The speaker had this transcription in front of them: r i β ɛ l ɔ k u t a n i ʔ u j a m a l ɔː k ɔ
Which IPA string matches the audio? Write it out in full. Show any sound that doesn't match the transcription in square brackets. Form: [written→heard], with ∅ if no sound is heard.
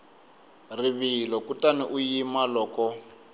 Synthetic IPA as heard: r i β [ɛ→i] l ɔ k u t a n i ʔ u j [a→i] m a l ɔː k ɔ